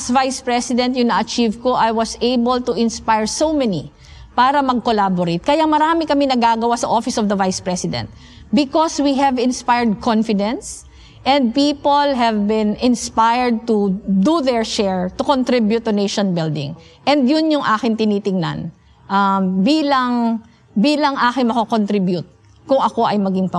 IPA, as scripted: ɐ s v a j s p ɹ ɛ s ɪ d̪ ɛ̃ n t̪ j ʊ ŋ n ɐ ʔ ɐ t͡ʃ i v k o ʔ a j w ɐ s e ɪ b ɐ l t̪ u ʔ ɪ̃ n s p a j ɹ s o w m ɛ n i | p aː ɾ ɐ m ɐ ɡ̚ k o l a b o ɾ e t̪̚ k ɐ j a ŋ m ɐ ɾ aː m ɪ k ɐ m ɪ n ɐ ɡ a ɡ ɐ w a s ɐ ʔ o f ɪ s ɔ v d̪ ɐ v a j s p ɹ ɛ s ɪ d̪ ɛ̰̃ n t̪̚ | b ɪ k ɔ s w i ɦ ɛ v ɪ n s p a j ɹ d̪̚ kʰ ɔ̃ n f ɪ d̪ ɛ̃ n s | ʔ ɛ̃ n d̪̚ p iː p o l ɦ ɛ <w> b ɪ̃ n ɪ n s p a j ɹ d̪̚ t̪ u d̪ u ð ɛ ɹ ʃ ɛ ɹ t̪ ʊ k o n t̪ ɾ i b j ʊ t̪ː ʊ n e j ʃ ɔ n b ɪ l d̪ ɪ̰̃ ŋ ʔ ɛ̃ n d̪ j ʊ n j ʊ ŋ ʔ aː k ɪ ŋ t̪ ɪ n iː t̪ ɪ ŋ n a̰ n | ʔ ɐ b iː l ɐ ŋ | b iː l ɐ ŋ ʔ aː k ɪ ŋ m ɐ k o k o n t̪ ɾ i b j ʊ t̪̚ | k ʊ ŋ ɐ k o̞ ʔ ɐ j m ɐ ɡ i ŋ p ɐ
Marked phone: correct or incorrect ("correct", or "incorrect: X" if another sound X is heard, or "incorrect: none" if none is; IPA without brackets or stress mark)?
incorrect: v